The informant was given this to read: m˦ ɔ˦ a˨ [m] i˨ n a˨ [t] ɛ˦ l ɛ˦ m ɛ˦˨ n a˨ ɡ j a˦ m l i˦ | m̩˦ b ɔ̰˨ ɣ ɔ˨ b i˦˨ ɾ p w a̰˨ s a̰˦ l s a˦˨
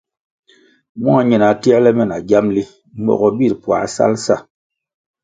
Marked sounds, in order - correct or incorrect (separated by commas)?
incorrect, correct